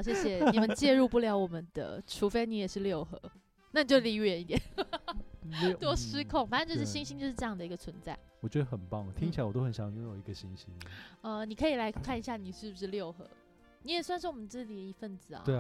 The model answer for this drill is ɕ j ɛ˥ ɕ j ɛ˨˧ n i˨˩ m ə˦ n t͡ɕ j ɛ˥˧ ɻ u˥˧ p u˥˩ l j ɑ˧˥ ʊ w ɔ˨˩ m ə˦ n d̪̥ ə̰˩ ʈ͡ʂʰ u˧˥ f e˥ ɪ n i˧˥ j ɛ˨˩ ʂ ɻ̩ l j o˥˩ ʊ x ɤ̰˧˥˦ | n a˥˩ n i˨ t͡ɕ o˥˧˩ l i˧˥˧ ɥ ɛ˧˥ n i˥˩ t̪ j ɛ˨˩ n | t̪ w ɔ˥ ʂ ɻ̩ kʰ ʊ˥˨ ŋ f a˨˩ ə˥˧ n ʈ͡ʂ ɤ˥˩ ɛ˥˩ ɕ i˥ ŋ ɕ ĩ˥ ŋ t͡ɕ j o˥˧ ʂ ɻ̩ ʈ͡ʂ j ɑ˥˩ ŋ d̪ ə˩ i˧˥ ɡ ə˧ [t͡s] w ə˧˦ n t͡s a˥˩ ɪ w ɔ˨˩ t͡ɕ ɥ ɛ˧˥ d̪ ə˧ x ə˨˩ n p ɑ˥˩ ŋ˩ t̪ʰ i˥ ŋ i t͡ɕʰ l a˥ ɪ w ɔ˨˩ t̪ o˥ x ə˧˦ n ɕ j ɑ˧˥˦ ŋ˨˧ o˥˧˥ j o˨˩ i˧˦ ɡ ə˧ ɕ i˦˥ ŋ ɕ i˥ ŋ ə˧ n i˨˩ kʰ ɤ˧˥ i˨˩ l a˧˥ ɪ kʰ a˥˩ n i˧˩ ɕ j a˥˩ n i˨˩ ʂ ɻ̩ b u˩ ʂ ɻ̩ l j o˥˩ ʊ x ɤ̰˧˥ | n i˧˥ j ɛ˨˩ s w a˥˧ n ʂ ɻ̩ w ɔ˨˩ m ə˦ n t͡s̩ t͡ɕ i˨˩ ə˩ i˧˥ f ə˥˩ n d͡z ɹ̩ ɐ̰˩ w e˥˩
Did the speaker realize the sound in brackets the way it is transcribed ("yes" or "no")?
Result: no